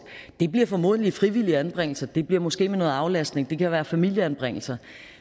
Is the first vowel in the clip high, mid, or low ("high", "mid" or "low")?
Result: mid